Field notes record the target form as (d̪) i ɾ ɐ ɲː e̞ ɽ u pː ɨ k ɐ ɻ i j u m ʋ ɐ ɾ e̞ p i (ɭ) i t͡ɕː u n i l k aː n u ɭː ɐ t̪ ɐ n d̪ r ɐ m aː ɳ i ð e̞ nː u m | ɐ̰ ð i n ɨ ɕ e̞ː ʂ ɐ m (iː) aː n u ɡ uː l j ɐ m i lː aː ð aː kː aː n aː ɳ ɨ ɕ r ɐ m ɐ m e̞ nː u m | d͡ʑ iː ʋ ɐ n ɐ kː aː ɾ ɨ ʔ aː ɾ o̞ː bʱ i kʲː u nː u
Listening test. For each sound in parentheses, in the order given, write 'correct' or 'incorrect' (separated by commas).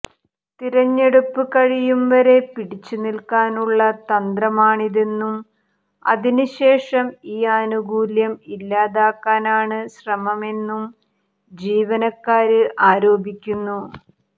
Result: incorrect, incorrect, correct